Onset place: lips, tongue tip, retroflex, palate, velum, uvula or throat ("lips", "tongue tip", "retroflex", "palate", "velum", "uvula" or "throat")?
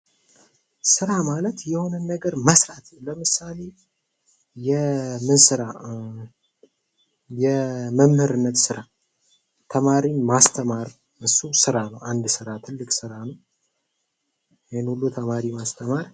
tongue tip